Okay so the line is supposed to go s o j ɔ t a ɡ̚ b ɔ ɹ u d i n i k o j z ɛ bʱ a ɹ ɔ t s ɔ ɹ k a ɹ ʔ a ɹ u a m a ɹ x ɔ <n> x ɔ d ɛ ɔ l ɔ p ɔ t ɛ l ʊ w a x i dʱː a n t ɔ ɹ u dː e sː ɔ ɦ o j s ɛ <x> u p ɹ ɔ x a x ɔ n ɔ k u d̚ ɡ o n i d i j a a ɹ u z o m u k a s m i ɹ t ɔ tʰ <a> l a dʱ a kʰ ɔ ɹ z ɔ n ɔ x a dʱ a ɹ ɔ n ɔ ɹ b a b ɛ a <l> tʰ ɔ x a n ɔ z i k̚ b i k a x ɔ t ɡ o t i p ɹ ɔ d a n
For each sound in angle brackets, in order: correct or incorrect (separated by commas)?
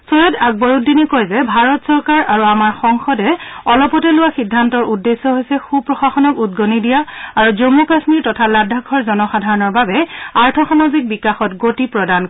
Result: incorrect, correct, correct, incorrect